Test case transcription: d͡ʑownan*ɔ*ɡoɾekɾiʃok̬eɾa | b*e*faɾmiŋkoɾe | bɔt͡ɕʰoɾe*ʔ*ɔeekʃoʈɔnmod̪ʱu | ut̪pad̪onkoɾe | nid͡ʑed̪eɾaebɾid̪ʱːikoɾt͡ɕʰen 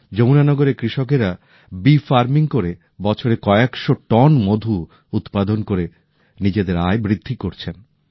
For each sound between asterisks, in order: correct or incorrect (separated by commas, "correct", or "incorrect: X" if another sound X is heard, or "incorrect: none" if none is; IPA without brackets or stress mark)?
correct, incorrect: i, incorrect: k